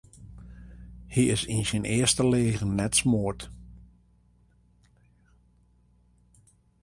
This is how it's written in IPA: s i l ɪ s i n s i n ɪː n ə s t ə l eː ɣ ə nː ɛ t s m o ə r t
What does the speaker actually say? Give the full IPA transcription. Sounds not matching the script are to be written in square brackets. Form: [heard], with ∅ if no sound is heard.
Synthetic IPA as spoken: [h] i [∅] ɪ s i n s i n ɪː [∅] ə s t ə l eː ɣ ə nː ɛ t s m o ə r t